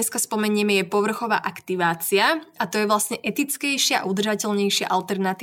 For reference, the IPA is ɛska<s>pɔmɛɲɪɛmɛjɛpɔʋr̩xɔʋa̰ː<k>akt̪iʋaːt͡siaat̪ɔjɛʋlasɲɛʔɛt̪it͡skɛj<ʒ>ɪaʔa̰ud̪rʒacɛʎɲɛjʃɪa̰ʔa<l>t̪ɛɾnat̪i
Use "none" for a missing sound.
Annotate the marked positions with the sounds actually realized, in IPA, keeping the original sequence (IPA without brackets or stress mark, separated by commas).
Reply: s, ʔ, ʃ, l